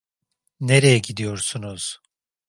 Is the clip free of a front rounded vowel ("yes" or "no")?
yes